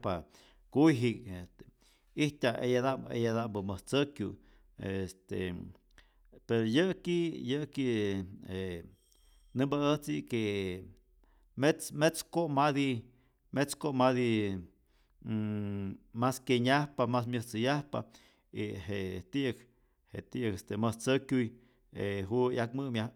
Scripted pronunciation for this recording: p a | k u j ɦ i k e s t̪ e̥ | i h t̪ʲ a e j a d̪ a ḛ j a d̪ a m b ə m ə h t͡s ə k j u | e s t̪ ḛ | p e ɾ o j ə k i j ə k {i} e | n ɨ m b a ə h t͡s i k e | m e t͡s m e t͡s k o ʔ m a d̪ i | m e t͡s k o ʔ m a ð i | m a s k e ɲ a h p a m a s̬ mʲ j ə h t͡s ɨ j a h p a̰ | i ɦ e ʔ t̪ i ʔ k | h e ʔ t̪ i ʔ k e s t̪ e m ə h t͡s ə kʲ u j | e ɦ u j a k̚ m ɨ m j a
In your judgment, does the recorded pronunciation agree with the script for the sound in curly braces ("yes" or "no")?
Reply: yes